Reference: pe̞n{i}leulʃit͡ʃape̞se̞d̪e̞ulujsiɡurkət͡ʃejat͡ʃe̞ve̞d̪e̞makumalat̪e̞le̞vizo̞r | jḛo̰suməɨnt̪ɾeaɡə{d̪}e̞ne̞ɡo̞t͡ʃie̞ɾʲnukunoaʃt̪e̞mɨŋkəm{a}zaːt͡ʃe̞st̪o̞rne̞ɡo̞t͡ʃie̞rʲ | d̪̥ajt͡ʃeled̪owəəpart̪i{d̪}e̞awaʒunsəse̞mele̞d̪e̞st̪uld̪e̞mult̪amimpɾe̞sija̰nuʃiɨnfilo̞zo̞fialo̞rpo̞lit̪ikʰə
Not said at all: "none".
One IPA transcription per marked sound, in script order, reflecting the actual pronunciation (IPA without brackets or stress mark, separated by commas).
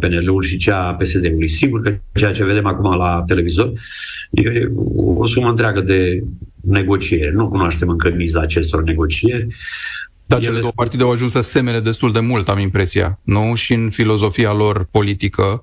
e, d̪, i, d̪